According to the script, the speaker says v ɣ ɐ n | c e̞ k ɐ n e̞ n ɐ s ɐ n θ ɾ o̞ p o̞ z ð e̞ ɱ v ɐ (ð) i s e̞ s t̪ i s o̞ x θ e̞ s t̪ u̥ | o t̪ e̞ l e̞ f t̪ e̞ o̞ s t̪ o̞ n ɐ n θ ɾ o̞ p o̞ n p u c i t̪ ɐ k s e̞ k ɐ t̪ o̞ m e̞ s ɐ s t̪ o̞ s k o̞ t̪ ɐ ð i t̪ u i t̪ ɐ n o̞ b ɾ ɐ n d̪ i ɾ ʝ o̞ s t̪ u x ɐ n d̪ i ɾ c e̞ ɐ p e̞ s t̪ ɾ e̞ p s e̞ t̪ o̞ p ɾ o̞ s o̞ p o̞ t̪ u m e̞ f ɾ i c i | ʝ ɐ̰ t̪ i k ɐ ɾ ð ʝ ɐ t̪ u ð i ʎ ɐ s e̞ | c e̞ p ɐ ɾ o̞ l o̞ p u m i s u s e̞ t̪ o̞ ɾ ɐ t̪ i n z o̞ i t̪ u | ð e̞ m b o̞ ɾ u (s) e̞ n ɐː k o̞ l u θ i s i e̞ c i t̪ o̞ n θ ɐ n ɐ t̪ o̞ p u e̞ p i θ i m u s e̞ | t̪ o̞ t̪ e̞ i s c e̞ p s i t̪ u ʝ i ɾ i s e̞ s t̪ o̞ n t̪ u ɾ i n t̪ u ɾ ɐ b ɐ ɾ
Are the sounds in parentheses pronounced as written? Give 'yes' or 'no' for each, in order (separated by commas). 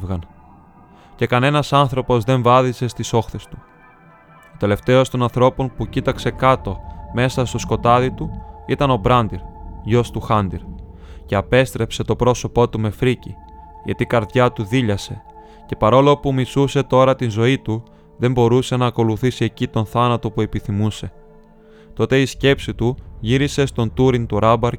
yes, yes